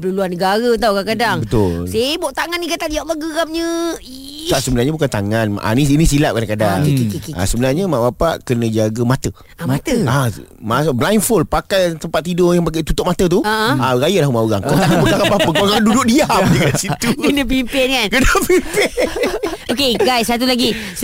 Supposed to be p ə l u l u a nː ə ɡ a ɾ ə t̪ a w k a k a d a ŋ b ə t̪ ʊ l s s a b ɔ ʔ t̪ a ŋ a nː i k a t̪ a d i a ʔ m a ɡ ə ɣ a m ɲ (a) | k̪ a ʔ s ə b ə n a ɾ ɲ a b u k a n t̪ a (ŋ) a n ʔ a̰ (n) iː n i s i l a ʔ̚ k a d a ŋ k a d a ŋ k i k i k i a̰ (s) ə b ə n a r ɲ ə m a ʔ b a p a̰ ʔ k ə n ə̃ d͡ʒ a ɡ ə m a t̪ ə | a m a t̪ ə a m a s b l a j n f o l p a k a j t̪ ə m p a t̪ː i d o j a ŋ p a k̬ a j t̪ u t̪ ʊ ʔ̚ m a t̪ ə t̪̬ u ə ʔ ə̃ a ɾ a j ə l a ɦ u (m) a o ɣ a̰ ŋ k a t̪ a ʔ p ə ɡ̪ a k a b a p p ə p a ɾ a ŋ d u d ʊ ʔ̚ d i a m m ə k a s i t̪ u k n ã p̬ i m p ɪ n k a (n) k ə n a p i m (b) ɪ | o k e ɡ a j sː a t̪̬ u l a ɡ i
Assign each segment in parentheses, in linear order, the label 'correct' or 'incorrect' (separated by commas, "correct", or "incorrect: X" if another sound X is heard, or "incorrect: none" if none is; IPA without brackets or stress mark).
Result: incorrect: ə, correct, correct, correct, correct, correct, incorrect: p